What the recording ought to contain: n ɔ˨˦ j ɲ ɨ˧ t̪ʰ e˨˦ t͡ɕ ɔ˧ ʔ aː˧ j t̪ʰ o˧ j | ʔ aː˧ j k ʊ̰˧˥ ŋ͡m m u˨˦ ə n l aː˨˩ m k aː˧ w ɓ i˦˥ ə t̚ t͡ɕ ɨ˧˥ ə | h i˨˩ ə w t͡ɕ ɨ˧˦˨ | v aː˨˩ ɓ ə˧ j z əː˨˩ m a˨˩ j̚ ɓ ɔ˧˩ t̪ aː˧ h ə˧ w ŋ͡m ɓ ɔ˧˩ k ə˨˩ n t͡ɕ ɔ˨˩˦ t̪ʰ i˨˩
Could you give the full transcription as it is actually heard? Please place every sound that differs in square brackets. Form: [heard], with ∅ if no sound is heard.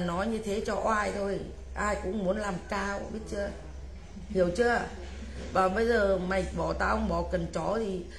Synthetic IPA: n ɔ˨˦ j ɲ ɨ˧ t̪ʰ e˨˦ t͡ɕ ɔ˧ ʔ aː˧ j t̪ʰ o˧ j | ʔ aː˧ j k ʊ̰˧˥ ŋ͡m m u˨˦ ə n l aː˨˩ m k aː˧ w ɓ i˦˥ ə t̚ t͡ɕ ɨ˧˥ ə | h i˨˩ ə w t͡ɕ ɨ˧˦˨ | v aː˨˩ ɓ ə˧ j z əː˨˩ m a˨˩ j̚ ɓ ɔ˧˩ t̪ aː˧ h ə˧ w ŋ͡m ɓ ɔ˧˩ k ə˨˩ n t͡ɕ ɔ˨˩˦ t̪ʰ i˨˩